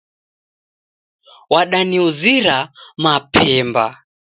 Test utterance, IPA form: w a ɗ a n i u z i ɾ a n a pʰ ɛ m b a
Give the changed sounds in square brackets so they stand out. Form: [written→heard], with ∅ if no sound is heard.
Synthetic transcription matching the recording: w a ɗ a n i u z i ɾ a [n→m] a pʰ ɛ m b a